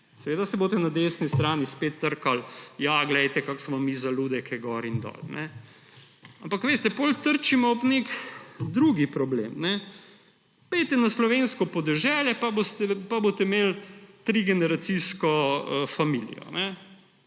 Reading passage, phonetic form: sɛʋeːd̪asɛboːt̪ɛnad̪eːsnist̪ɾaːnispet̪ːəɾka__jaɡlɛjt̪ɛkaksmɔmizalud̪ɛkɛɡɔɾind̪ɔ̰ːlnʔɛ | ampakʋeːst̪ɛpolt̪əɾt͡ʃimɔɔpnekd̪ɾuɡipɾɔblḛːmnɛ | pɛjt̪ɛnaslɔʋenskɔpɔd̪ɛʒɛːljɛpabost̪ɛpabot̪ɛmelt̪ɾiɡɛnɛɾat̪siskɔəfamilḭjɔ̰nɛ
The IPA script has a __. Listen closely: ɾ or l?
l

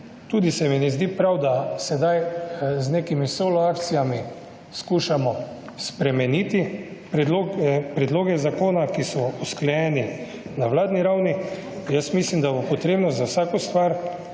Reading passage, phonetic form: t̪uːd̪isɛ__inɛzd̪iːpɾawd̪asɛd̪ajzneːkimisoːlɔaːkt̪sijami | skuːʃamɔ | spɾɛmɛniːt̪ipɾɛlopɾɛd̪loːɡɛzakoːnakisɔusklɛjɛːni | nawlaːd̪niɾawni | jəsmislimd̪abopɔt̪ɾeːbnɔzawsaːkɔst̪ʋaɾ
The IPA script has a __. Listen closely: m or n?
m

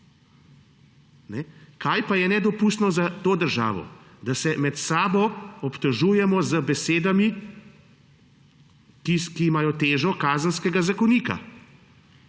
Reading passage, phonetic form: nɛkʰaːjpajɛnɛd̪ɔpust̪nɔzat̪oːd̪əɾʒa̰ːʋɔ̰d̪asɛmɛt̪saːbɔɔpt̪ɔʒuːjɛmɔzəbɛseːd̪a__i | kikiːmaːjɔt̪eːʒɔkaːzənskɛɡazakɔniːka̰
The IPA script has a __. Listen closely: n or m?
m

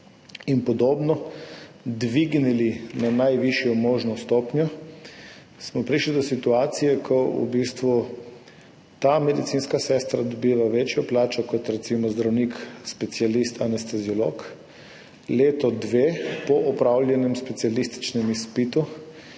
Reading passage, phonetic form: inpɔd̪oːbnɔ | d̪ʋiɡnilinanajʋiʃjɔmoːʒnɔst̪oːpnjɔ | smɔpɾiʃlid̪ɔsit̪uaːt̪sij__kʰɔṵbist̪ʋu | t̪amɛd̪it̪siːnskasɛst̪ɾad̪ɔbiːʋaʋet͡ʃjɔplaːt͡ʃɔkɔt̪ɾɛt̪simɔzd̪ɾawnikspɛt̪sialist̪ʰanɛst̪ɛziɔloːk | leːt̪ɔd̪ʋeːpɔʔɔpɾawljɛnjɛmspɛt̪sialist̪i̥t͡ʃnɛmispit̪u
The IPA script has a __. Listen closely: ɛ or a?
ɛ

